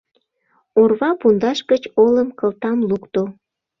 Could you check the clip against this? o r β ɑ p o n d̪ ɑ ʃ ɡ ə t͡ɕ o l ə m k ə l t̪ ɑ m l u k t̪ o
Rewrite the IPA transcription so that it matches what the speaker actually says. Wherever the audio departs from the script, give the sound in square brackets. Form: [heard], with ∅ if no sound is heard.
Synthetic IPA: o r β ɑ p [u] n d̪ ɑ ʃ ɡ ə t͡ɕ o l ə m k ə l t̪ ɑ m l u k t̪ o